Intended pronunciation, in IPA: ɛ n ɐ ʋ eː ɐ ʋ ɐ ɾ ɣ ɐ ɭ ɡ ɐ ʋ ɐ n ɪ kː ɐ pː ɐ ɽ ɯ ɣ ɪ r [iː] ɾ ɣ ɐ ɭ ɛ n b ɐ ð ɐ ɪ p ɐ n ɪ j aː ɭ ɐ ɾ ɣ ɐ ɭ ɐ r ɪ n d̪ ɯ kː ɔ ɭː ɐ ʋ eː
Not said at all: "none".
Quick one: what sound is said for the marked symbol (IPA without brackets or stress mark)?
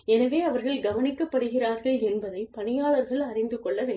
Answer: aː